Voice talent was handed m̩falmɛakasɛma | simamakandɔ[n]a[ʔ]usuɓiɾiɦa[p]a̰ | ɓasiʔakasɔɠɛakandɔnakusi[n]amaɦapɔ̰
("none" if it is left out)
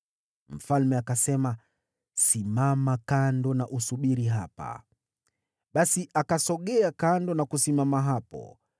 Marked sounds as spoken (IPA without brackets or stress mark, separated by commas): n, ʔ, p, m